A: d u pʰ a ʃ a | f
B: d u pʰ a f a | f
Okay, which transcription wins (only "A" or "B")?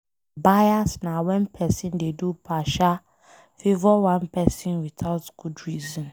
A